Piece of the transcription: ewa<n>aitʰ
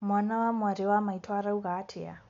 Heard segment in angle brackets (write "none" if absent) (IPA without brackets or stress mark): m